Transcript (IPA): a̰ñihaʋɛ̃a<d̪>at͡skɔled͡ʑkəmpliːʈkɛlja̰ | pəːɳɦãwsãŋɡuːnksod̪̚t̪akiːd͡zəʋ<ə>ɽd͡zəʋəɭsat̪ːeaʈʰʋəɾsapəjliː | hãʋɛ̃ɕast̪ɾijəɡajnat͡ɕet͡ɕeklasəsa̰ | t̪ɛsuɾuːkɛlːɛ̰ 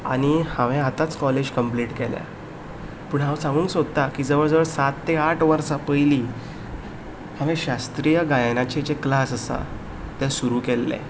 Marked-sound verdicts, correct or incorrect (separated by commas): incorrect, correct